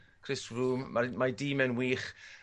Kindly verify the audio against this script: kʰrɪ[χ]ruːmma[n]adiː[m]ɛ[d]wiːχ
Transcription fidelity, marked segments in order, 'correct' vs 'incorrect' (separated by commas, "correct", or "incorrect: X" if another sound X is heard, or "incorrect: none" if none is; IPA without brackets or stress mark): incorrect: s, incorrect: m, correct, incorrect: n